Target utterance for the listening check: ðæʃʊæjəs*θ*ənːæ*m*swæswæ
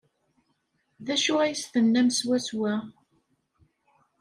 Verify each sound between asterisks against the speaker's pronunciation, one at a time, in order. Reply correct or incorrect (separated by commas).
correct, correct